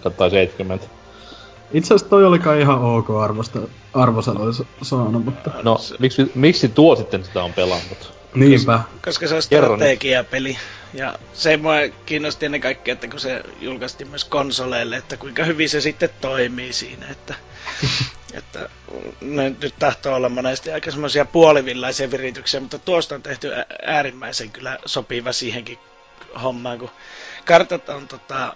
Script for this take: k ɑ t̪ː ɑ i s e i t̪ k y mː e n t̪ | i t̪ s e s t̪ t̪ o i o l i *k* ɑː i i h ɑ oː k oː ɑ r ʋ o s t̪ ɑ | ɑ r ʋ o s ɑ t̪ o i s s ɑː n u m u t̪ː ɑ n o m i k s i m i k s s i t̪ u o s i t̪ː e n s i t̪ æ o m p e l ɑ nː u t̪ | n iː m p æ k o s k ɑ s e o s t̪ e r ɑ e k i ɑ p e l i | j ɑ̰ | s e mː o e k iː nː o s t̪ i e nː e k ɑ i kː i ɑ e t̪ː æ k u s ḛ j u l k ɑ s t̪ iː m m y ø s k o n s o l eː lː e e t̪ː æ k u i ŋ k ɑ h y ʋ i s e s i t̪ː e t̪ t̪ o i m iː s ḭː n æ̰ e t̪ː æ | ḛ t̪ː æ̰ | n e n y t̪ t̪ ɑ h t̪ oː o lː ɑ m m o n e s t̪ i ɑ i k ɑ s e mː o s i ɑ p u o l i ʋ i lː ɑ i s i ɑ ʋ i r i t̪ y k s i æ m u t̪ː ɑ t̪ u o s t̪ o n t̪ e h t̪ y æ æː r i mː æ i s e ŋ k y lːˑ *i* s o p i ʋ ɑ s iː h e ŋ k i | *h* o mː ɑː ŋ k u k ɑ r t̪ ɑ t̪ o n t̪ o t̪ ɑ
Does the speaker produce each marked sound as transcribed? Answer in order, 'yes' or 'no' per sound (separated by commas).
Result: yes, no, yes